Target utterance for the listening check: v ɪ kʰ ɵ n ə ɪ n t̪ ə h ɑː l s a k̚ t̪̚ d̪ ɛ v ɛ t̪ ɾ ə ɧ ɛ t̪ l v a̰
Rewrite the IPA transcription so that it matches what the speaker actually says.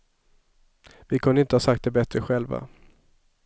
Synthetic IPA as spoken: v ɪ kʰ ɵ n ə ɪ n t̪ ə h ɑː s a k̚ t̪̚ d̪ ɛ b ɛ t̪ ɾ ə ɧ ɛ l v a̰